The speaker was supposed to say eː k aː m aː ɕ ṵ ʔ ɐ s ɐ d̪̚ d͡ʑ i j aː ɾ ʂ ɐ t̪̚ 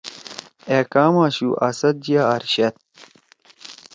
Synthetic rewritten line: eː k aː m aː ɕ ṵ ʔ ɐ s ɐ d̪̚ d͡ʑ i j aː ɾ ɕ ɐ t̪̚

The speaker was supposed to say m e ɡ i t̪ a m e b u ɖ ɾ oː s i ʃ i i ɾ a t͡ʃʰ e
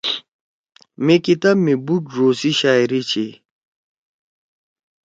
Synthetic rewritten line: m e k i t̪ a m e b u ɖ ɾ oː s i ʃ a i ɾ i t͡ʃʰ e

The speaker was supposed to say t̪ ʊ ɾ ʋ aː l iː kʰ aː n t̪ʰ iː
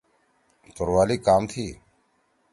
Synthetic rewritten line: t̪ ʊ ɾ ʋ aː l iː k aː m t̪ʰ iː

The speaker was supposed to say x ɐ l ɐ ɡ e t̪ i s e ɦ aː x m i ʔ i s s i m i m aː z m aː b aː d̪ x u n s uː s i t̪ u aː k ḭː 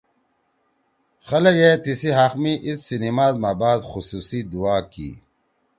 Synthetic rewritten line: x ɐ l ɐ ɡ e t̪ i s i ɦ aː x m i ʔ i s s i n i m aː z m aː b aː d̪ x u s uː s i d̪ u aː k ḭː

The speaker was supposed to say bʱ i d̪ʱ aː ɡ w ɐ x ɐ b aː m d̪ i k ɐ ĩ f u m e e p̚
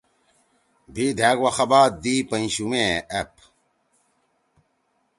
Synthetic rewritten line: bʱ i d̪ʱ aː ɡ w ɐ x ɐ b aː d̪ i p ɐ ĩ ɕ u m e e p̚

